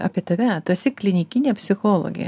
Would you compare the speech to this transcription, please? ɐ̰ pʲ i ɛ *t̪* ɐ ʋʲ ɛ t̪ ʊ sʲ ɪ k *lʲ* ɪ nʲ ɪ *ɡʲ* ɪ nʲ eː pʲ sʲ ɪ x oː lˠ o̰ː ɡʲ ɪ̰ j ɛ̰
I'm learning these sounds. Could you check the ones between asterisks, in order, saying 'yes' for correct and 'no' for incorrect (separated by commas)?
yes, yes, no